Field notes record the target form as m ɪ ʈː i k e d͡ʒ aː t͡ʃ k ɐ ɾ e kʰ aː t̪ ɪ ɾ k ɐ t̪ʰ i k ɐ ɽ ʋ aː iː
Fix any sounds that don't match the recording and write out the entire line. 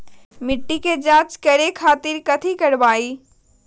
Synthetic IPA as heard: m ɪ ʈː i k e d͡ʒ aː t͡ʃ k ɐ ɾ e kʰ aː t̪ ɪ ɾ k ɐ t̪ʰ i k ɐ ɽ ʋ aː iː